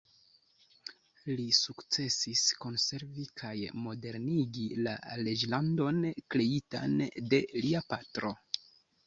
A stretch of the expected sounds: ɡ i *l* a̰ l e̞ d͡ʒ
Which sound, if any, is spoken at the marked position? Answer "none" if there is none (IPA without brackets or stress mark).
l